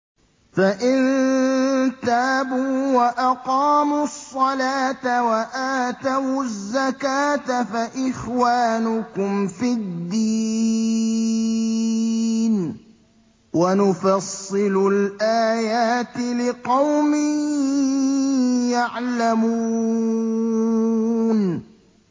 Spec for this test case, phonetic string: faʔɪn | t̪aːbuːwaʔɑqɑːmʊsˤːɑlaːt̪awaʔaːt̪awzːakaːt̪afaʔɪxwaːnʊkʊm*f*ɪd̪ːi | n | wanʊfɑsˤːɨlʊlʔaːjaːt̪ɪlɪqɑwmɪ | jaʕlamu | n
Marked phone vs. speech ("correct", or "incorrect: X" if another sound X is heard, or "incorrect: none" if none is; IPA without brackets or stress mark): correct